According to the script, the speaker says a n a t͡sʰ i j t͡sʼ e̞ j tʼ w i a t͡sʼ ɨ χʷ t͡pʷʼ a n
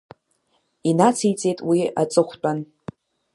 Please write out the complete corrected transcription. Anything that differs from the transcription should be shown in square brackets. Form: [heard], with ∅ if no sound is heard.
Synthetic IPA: [i] n a t͡sʰ i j t͡sʼ e̞ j tʼ w i a t͡sʼ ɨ χʷ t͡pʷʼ a n

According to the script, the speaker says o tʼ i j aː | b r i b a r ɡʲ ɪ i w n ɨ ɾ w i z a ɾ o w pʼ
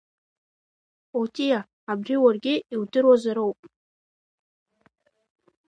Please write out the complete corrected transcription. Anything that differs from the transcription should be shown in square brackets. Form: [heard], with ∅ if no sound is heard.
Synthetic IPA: o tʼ i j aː | b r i [w] a r ɡʲ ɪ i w [d] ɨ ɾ w [a] z a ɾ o w pʼ

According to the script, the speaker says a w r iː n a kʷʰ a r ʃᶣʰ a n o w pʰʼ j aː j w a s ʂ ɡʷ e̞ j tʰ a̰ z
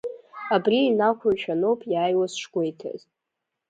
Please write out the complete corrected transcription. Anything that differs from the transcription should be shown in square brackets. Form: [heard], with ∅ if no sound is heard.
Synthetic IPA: a [b] r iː n a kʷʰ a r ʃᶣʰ a n o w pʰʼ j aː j w a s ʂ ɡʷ e̞ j tʰ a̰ z

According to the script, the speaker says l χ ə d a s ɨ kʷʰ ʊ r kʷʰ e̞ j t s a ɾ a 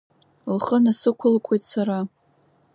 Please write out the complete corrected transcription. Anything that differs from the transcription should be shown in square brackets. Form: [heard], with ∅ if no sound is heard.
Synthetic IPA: l χ ə [n] a s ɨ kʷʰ ʊ [l] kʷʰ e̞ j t s a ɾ a

